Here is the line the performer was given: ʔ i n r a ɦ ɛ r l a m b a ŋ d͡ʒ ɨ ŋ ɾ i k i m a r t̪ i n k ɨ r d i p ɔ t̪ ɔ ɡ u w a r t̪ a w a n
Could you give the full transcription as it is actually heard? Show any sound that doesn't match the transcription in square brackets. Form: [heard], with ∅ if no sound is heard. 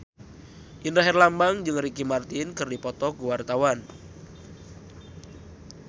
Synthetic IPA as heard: ʔ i n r a ɦ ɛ r l a m b a ŋ d͡ʒ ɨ ŋ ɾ i k i m a r t̪ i n k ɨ r d i p ɔ t̪ ɔ ɡ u w a r t̪ a w a n